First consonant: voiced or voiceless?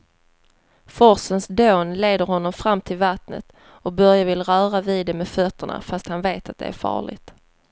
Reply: voiceless